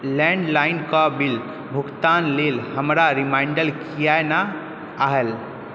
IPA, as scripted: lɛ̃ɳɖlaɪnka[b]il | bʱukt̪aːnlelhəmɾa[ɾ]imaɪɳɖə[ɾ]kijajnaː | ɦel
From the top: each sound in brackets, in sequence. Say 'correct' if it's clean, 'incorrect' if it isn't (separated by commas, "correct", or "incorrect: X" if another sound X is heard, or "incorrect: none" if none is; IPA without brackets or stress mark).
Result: correct, correct, incorrect: l